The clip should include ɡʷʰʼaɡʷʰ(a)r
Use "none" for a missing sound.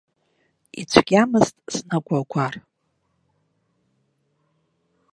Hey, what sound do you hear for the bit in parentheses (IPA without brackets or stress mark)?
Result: a